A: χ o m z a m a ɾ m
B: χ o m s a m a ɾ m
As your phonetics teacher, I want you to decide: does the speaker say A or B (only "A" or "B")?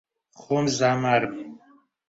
A